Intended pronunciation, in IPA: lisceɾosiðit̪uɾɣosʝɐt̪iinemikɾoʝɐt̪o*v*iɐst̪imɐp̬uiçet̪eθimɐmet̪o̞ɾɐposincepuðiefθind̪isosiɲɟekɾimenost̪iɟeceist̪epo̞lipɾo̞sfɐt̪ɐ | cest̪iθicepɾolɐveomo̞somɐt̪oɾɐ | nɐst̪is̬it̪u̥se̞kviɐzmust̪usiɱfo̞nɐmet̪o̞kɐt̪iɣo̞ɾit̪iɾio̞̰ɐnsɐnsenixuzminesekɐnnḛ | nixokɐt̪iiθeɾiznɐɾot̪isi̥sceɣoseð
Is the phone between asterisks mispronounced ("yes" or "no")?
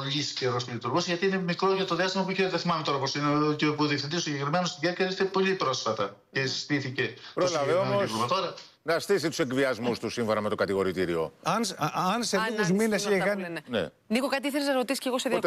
yes